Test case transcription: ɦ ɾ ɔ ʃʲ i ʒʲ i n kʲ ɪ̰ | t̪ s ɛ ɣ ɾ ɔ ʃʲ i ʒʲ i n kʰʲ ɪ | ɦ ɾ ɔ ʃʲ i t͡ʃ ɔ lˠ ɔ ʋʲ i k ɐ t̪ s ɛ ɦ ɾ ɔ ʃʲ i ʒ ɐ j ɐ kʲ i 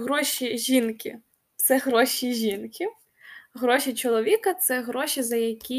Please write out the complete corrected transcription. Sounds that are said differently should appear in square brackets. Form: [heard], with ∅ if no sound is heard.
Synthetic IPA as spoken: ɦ ɾ ɔ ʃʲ i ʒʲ i n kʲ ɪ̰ | t̪ s ɛ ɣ ɾ ɔ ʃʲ i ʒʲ i n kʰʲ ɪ | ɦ ɾ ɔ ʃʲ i t͡ʃ ɔ lˠ ɔ ʋʲ i k ɐ t̪ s ɛ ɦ ɾ ɔ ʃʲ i [z] ɐ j ɐ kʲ i